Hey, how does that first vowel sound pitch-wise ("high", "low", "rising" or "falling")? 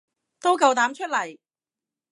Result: high